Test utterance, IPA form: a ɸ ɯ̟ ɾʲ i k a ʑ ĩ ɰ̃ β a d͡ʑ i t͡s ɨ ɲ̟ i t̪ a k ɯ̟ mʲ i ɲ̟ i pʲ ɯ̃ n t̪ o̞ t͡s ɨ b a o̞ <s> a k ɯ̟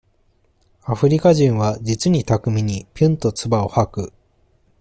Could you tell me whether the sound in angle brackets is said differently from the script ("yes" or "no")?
yes